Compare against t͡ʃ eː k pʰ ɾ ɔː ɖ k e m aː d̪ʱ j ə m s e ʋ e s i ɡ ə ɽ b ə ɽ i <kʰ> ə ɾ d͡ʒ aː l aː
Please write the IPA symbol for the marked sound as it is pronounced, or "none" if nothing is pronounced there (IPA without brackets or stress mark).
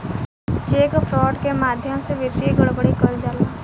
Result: k